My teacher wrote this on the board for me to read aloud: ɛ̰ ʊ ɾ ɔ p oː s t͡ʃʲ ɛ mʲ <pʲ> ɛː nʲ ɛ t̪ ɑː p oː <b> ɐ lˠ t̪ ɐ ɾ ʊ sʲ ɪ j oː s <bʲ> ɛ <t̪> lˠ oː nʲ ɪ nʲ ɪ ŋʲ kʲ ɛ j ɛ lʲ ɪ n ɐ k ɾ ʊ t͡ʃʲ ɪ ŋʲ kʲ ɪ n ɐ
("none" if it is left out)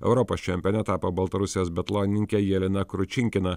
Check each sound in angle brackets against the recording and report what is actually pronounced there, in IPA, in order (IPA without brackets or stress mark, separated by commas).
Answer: pʲ, b, bʲ, t̪